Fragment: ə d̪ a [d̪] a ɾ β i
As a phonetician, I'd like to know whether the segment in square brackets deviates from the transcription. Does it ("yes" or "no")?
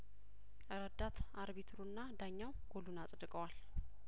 yes